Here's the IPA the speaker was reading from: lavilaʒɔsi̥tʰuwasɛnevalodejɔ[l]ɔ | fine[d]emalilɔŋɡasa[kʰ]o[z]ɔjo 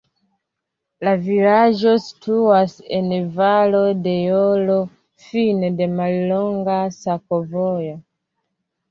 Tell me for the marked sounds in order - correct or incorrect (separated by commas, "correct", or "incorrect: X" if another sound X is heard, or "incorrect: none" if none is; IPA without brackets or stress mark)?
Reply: correct, correct, incorrect: k, incorrect: v